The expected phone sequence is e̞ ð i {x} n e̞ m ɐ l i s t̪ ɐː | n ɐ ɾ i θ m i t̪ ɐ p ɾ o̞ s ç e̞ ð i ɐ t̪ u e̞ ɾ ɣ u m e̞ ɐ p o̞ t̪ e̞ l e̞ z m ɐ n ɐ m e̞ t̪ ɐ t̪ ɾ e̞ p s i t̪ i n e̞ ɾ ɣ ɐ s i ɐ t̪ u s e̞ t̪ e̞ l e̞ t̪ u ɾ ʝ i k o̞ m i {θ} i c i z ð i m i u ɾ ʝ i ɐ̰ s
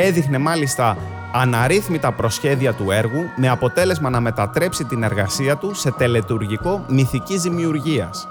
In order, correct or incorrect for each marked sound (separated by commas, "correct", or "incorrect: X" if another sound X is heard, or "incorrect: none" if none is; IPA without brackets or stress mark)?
correct, correct